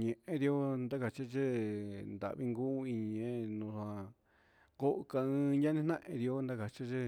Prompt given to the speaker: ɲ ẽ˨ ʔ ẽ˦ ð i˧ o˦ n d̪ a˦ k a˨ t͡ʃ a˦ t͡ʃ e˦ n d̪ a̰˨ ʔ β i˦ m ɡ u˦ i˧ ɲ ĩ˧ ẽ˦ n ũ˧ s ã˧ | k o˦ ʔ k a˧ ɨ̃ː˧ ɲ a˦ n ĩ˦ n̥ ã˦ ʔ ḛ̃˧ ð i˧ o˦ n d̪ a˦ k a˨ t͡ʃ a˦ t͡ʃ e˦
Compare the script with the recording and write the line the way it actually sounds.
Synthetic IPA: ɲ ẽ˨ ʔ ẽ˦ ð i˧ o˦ n d̪ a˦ k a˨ t͡ʃ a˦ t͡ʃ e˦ n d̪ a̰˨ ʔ β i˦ ŋ ɡ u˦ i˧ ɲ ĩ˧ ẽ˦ n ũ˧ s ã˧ | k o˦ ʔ k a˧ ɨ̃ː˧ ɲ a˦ n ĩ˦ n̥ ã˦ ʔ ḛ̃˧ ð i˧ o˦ n d̪ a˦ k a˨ t͡ʃ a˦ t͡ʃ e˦

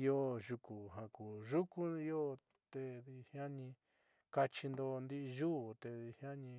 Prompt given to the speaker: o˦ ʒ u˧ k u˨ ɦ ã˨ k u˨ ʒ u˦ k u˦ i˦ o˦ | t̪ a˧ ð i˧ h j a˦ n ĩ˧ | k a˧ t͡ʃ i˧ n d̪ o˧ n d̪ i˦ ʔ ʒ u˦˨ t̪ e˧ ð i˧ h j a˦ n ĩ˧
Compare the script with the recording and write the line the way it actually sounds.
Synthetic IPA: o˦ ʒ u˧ k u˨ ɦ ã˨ k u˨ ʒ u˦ k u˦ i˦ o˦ | t̪ e˧ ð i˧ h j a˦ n ĩ˧ | k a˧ t͡ʃ i˧ n d̪ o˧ n d̪ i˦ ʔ ʒ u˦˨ t̪ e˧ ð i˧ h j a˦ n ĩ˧

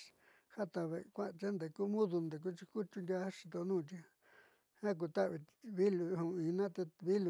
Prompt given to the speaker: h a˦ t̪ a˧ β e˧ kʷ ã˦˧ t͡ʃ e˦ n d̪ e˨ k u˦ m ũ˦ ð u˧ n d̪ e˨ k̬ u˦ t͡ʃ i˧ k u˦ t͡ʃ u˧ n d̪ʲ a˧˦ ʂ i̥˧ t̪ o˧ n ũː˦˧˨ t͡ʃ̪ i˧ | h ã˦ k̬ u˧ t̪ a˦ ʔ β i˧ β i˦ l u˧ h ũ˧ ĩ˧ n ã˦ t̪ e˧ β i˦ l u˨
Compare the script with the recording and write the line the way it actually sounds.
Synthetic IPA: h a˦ t̪ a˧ β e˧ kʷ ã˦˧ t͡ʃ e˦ n d̪ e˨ k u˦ m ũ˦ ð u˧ n d̪ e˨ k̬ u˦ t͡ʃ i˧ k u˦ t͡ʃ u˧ n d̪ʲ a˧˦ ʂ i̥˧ t̪ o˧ n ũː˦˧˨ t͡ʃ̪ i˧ | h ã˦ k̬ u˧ t̪ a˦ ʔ β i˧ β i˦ l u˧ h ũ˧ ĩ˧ n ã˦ t̪ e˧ β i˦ l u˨

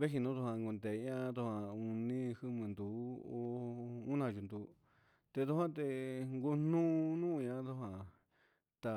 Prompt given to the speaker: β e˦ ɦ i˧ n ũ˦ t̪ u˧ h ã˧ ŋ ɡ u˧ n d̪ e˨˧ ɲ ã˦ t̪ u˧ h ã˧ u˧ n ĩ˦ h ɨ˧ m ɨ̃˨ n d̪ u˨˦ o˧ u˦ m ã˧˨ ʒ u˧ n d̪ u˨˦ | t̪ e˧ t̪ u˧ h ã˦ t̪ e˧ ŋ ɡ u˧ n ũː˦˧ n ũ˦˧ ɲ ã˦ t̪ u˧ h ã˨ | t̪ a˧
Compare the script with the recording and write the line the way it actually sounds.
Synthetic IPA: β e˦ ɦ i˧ n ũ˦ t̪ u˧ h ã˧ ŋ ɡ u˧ n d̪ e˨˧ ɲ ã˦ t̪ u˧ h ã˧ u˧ n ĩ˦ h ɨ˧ m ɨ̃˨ n d̪ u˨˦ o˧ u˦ n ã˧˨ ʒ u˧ n d̪ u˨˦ | t̪ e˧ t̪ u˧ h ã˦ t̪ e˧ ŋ ɡ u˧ n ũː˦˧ n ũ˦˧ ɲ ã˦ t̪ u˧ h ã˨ | t̪ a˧

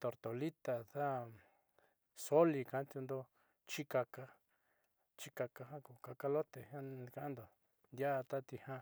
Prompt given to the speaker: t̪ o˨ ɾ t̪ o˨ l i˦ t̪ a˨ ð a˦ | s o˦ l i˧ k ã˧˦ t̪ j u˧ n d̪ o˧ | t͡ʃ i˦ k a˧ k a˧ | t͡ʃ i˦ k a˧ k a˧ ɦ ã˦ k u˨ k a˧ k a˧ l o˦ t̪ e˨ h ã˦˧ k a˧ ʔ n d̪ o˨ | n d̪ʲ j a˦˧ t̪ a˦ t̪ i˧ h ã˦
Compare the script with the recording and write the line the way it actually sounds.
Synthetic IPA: t̪ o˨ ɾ t̪ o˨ l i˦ t̪ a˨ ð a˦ | s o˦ l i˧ k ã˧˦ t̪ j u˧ n d̪ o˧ | t͡ʃ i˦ k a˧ k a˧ | t͡ʃ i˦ k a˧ k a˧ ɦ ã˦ k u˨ k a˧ k a˧ l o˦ t̪ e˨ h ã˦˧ k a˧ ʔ n d̪ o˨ | n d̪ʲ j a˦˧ t̪ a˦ t̪ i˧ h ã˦

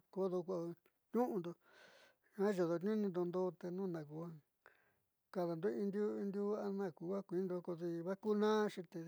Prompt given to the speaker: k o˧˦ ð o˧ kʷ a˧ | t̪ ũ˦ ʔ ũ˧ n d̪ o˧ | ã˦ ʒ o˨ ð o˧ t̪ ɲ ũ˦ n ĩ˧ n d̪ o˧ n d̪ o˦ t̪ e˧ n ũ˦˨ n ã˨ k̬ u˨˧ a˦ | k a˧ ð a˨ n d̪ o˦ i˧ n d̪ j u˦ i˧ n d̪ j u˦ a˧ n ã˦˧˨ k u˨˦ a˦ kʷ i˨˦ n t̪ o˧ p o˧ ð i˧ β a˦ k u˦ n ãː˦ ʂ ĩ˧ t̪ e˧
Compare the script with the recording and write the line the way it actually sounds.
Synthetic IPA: k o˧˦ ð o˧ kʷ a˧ | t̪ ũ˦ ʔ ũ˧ n d̪ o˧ | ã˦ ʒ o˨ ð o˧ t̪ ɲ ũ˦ n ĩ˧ n d̪ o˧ n d̪ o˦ t̪ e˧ n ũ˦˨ n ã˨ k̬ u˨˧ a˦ | k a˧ ð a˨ n d̪ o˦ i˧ n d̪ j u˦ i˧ n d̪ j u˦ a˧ n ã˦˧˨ k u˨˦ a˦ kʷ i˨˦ n d̪ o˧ k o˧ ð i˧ β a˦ k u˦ n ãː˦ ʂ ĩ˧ t̪ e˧

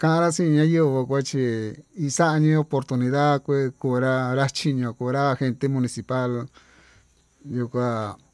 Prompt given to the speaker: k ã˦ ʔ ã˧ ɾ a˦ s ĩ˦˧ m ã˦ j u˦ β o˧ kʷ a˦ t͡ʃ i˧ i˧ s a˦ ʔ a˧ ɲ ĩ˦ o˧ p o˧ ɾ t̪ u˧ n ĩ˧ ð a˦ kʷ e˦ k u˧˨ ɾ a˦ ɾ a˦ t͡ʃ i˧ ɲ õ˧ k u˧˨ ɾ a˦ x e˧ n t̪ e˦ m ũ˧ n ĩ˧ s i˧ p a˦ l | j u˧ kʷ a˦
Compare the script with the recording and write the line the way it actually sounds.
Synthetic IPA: k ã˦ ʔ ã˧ ɾ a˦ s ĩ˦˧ ɲ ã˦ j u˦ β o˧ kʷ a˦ t͡ʃ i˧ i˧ s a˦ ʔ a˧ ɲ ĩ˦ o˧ p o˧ ɾ t̪ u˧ n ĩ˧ ð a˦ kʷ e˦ k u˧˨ ɾ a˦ ɾ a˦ t͡ʃ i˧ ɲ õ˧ k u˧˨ ɾ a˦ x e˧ n t̪ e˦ m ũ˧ n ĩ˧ s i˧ p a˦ l | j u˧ kʷ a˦

